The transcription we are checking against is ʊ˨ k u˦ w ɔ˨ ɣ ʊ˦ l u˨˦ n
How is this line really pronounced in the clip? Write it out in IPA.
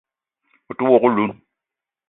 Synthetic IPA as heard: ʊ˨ t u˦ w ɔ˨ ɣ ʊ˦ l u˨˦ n